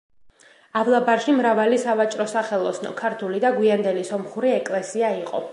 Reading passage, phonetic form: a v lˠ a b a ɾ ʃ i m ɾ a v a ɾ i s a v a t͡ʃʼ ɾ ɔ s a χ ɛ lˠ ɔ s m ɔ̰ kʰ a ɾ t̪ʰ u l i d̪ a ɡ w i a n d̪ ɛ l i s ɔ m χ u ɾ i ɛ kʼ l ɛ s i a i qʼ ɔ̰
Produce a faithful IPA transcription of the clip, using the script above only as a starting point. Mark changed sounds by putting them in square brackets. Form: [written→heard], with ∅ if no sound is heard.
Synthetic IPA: a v lˠ a b a ɾ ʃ i m ɾ a v a [ɾ→l] i s a v a t͡ʃʼ ɾ ɔ s a χ ɛ lˠ ɔ s [m→n] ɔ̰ kʰ a ɾ t̪ʰ u l i d̪ a ɡ w i a n d̪ ɛ l i s ɔ m χ u ɾ i ɛ kʼ l ɛ s i a i qʼ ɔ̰